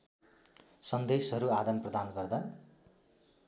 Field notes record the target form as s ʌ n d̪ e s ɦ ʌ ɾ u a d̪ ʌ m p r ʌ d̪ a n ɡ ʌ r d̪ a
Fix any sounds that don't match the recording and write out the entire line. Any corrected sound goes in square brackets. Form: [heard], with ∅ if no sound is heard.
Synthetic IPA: s ʌ n d̪ e s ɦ ʌ ɾ u a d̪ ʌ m p r ʌ d̪ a n ɡ ʌ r d̪ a